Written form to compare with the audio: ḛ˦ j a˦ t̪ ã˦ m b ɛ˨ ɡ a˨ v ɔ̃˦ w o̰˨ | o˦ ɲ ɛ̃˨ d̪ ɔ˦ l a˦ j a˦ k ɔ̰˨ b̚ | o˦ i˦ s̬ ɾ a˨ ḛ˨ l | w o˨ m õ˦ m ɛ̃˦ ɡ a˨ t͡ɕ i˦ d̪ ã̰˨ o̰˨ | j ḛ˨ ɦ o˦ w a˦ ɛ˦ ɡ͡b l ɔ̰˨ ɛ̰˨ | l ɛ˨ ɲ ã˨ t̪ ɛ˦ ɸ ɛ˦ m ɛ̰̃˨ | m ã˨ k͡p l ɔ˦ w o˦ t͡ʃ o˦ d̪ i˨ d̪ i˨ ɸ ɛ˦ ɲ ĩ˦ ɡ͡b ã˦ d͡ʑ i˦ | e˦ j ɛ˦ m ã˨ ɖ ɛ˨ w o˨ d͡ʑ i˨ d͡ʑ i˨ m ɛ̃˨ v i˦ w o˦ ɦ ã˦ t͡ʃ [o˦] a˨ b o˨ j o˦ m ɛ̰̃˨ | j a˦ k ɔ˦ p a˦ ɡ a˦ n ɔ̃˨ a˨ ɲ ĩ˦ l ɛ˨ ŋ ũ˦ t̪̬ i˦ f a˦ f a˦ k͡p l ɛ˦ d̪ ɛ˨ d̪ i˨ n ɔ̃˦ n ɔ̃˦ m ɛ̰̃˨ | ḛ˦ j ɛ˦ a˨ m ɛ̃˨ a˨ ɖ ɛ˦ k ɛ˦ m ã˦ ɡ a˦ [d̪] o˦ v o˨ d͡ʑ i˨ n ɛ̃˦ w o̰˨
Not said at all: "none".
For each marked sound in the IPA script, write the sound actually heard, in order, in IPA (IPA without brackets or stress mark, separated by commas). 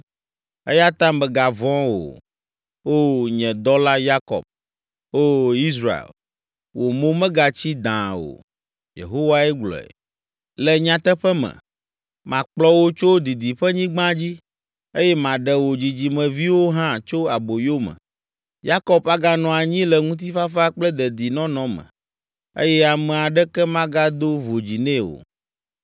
o˦, d̪